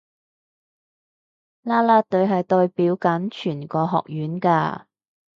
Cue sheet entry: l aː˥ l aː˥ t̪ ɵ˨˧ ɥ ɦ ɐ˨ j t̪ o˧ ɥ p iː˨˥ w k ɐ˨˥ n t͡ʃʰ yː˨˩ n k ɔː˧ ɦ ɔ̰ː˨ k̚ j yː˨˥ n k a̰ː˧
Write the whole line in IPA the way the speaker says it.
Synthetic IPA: l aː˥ l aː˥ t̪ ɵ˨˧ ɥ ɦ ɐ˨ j t̪ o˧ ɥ p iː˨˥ w k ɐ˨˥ n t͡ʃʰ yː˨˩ n k ɔː˧ ɦ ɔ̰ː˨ k̚ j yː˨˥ n k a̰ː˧